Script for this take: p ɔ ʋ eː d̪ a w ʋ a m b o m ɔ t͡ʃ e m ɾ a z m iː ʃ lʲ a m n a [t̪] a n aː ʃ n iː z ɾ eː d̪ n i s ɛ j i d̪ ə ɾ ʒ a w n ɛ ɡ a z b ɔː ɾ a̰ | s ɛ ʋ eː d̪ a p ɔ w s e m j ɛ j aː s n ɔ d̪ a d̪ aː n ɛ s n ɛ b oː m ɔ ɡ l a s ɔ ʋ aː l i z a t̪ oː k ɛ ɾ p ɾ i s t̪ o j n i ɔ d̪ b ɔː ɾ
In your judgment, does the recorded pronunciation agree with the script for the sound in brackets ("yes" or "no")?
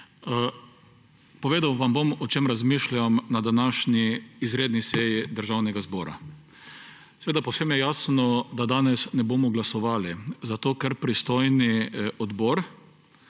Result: no